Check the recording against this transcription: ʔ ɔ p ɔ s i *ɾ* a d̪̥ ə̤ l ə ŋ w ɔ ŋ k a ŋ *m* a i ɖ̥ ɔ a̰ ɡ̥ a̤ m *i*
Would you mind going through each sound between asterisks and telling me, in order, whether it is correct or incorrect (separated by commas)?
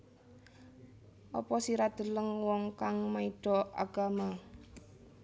correct, correct, incorrect